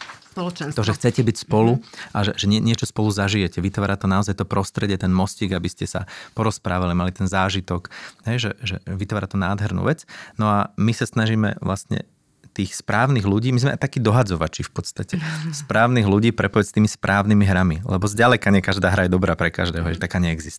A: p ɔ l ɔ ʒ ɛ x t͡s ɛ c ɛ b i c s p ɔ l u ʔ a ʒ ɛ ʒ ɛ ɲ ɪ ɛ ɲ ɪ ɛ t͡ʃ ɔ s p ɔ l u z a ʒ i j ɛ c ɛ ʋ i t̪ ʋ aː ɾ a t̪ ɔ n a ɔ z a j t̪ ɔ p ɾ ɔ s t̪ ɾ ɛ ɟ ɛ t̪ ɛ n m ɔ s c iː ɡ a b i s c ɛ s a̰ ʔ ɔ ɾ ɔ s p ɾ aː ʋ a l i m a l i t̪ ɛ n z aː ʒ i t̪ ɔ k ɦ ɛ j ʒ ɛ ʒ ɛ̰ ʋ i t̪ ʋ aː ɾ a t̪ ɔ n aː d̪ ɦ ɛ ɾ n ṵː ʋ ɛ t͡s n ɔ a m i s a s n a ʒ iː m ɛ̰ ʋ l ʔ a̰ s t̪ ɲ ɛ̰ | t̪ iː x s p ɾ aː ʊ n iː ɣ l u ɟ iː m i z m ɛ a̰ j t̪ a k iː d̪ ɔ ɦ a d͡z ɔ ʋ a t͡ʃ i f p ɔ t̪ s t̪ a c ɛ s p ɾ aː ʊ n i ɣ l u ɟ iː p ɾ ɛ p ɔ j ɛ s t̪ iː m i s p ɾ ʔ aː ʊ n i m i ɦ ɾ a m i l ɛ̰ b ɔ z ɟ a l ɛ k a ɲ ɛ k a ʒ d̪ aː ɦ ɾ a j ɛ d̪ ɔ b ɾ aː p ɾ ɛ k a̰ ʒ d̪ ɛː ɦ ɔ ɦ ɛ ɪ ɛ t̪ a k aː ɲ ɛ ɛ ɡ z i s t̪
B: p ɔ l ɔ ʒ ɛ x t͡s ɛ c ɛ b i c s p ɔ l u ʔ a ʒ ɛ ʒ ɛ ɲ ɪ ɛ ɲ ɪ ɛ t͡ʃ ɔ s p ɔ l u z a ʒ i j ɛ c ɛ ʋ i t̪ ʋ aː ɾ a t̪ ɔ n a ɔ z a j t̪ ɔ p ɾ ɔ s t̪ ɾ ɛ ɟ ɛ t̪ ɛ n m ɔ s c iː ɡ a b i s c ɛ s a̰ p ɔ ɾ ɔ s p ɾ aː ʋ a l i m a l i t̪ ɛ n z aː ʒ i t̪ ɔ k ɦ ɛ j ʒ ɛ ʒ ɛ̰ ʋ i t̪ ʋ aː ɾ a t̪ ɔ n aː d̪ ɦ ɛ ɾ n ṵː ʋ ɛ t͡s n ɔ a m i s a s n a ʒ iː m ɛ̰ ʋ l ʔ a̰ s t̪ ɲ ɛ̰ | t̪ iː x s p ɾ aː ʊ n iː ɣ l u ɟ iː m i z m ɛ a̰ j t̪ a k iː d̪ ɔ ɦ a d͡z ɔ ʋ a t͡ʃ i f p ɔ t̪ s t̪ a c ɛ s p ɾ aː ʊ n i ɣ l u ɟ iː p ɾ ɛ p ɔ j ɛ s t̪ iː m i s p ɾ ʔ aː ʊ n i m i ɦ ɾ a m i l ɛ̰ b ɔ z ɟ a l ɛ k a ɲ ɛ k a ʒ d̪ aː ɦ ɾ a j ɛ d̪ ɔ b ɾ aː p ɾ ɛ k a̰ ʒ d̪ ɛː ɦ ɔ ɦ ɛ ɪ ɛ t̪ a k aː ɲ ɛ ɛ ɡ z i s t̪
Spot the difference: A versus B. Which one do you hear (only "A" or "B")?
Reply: B